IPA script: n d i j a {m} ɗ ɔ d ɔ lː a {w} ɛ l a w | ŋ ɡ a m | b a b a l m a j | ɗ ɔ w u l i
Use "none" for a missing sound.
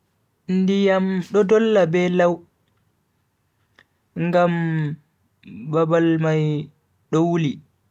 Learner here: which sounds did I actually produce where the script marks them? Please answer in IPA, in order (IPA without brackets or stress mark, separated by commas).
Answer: m, b